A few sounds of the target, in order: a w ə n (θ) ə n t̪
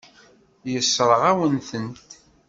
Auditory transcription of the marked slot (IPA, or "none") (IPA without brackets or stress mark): θ